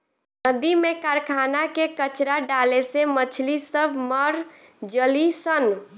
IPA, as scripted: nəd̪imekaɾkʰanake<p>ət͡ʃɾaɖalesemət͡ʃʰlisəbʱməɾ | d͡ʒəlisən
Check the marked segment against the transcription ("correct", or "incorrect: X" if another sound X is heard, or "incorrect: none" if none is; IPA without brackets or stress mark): incorrect: k